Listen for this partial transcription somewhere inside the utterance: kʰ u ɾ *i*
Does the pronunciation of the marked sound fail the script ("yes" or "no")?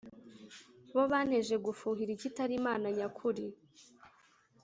no